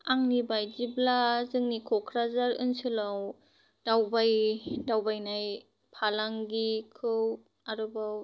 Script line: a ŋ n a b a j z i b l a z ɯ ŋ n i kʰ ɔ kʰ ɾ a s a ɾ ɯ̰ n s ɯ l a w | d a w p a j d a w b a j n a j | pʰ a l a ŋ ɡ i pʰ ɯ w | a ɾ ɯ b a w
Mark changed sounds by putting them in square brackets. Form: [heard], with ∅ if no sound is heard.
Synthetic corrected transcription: a ŋ n [i] b a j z i b l a z ɯ ŋ n i kʰ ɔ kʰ ɾ a [z] a ɾ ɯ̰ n s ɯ l a w | d a w [b] a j d a w b a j n a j | pʰ a l a ŋ ɡ i [kʰ] ɯ w | a ɾ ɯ b a w